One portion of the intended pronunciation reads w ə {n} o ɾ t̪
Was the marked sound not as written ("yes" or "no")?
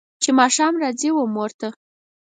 yes